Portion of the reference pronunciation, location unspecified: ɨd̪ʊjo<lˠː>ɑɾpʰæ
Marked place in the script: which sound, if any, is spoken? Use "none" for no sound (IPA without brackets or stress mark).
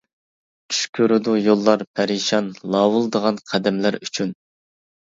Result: lˠː